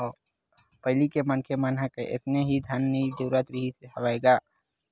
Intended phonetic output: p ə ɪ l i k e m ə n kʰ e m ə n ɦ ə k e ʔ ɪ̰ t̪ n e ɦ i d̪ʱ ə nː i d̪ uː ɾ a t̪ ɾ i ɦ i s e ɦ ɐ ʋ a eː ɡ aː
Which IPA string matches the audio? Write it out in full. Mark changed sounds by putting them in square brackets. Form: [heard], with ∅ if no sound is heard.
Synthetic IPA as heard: p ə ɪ l i k e m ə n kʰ e m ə n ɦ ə k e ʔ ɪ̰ t̪ n e ɦ i d̪ʱ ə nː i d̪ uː ɾ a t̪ ɾ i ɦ i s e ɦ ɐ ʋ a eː ɡ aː